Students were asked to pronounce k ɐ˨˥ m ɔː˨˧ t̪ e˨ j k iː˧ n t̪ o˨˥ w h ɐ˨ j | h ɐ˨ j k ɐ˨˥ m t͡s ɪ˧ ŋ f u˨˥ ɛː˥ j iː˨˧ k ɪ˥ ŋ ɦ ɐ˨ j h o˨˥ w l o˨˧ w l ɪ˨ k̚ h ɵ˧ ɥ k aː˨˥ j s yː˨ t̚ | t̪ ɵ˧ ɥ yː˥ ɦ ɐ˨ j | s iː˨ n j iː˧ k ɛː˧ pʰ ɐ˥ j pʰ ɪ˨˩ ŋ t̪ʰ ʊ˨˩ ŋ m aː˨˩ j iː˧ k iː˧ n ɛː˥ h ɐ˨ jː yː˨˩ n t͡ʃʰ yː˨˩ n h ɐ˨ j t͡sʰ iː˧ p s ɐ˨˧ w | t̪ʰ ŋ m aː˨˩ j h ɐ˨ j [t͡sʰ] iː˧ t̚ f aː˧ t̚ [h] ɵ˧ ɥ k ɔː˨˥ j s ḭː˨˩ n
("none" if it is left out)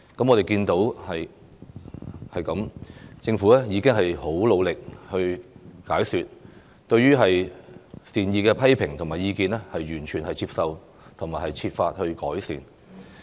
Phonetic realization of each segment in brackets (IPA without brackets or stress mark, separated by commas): t͡sʰ, h